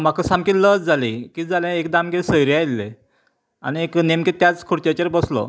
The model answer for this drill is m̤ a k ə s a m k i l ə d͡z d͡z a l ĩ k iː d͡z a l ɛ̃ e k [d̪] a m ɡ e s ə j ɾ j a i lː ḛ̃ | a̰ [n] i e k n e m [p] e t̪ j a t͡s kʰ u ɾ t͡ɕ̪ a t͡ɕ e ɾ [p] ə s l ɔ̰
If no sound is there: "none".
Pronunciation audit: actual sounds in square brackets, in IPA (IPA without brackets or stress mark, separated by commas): d̪, n, k, b